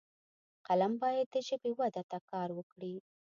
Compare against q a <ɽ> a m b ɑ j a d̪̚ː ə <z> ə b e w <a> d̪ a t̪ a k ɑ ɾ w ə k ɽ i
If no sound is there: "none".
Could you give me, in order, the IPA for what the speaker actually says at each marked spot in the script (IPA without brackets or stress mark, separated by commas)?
l, ʒ, a